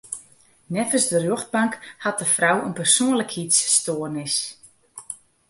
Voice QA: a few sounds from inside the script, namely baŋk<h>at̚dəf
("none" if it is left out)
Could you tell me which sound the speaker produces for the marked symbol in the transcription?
h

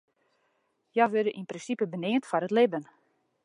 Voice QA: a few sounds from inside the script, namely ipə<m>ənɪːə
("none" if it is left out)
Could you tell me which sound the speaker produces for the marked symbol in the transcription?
b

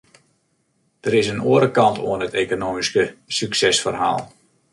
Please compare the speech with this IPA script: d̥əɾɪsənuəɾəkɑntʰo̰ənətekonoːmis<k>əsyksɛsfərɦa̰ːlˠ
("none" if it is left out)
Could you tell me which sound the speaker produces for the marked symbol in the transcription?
k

